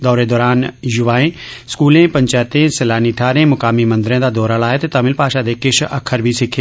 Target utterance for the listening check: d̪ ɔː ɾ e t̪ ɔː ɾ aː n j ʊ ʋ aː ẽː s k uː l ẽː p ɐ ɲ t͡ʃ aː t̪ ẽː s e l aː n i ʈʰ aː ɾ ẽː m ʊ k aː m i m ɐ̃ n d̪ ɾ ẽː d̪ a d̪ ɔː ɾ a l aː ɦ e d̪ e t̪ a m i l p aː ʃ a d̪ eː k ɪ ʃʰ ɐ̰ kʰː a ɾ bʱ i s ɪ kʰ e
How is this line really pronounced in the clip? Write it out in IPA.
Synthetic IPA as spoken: d̪ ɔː ɾ e d̪ ɔː ɾ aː n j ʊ ʋ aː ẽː s k uː l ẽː p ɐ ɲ t͡ʃ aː t̪ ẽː s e l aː n i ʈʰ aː ɾ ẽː m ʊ k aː m i m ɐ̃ n d̪ ɾ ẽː d̪ a d̪ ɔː ɾ a l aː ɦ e t̪ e t̪ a m ɪ l p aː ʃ a d̪ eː k ɪ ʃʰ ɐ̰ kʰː ə ɾ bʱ i s ɪ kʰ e